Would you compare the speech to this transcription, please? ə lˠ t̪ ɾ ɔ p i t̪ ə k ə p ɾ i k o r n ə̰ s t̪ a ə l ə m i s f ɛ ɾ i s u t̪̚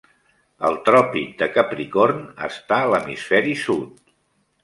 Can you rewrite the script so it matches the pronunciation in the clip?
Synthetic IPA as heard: ə lˠ t̪ ɾ ɔ p i d̪ ə k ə p ɾ i k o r n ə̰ s t̪ a ə l ə m i s f ɛ ɾ i s u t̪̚